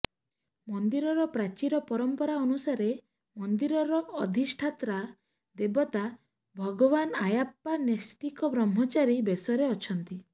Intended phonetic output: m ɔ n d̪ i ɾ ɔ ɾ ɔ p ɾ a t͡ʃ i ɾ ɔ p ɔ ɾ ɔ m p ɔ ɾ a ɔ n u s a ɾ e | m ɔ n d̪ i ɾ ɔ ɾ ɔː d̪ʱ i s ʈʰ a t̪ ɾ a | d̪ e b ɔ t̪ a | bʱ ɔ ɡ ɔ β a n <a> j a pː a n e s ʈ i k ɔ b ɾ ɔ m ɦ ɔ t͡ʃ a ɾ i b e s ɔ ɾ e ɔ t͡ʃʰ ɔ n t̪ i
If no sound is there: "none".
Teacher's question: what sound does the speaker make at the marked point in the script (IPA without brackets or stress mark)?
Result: a